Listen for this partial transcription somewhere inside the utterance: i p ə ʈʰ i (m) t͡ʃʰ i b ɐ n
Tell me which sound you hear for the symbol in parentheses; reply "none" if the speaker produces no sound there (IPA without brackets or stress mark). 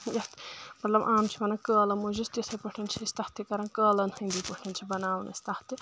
n